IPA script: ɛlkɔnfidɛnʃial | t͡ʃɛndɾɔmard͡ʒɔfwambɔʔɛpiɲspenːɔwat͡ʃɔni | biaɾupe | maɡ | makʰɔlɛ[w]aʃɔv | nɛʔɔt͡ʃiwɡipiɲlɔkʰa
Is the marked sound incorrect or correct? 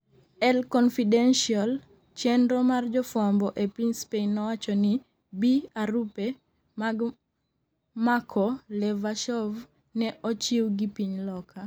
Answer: incorrect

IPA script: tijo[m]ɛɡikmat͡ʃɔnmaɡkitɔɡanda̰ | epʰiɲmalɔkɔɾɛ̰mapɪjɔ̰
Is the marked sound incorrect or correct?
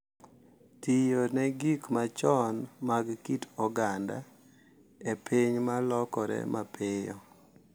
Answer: incorrect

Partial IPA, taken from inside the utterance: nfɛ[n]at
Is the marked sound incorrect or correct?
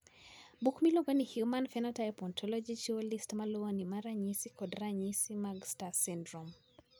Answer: correct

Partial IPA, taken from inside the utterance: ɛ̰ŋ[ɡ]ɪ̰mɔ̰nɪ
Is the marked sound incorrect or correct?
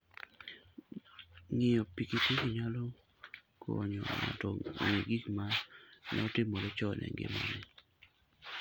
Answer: correct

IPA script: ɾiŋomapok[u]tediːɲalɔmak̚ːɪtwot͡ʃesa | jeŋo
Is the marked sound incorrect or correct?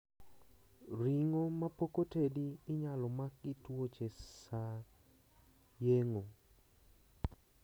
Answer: incorrect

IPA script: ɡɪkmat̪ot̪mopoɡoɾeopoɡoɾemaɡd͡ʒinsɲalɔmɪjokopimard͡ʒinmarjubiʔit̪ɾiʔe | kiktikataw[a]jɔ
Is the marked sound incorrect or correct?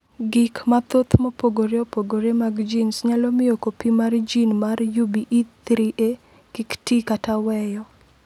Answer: incorrect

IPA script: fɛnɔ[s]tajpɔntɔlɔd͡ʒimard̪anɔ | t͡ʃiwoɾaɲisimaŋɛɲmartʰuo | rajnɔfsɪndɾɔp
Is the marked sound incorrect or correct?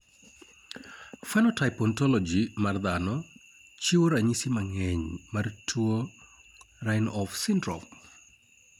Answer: incorrect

